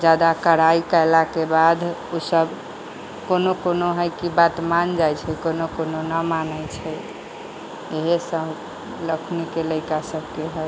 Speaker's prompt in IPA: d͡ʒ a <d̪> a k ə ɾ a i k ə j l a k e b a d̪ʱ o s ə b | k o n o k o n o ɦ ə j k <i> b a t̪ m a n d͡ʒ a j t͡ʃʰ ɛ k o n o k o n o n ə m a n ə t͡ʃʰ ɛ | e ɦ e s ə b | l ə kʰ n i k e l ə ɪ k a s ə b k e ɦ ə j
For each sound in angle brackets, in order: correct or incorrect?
correct, correct

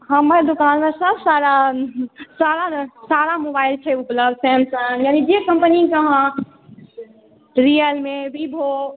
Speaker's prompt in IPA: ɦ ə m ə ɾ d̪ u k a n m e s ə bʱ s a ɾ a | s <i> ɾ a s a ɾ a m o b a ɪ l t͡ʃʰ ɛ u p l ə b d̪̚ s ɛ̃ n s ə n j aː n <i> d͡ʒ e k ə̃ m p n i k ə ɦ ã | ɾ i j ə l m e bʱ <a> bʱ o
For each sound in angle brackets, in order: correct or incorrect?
incorrect: a, correct, incorrect: i

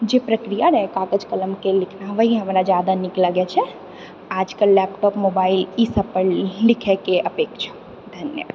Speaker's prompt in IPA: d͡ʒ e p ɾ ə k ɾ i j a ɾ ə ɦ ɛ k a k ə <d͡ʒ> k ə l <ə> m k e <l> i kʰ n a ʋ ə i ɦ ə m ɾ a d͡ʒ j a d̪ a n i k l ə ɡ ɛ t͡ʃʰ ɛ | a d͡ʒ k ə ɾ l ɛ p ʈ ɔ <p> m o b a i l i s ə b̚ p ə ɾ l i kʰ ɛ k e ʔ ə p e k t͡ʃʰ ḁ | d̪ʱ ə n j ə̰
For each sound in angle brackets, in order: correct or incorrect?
correct, correct, correct, correct

